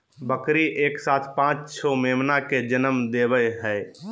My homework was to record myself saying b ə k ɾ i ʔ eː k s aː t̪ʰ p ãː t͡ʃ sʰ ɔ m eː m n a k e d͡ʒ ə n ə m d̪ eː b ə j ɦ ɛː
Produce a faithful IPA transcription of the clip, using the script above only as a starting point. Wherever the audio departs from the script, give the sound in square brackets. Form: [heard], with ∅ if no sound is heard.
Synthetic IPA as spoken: b ə k ɾ i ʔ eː k s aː t̪ʰ p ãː t͡ʃ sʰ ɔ m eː m n a k e d͡ʒ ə n ə m d̪ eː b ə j ɦ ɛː